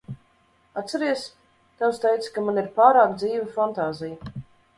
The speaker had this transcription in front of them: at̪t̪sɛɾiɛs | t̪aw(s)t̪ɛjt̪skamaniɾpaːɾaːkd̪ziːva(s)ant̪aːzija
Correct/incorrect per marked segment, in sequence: correct, incorrect

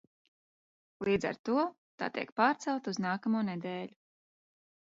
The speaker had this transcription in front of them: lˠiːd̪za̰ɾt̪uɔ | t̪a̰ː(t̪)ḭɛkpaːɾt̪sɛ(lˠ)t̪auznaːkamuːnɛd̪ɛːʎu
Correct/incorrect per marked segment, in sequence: correct, correct

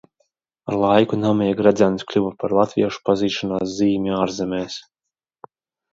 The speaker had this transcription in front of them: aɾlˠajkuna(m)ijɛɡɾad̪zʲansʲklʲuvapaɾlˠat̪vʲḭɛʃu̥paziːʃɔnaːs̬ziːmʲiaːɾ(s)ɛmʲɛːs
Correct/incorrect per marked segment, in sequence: correct, incorrect

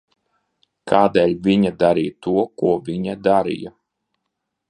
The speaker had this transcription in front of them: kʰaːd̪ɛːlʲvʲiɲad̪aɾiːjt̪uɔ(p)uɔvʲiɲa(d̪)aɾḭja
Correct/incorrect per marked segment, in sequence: incorrect, correct

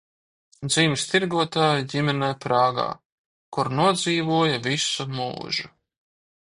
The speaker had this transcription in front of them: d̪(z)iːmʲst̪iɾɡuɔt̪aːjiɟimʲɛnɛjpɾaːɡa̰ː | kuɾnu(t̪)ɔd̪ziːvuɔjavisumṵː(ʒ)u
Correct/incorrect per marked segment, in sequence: correct, incorrect, correct

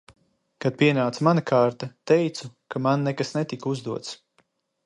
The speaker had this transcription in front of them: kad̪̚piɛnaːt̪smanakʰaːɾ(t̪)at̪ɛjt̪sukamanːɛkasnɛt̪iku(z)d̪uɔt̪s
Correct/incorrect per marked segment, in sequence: correct, correct

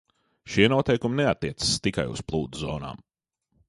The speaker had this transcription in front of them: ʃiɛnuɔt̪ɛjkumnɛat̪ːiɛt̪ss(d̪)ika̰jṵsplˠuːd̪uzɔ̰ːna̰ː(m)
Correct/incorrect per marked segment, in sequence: incorrect, correct

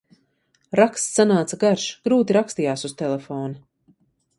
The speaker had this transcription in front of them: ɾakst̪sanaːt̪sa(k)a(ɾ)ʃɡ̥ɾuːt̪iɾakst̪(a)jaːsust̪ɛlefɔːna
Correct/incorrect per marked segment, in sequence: incorrect, correct, incorrect

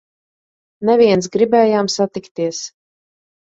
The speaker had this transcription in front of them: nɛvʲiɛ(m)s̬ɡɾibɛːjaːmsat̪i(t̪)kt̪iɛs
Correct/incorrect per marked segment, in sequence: incorrect, incorrect

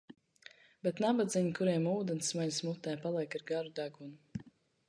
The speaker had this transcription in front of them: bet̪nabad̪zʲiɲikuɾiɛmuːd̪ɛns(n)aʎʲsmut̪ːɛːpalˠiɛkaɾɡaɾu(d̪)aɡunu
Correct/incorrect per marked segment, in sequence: incorrect, correct

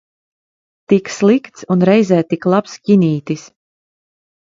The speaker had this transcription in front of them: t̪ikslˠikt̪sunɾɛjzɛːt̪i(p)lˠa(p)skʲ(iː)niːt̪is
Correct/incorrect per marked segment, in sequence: incorrect, correct, incorrect

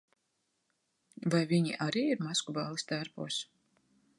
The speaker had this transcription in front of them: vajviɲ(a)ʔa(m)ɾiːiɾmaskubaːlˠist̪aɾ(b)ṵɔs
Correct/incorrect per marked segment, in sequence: incorrect, incorrect, incorrect

